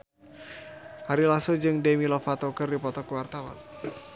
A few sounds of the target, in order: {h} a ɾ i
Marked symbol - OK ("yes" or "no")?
yes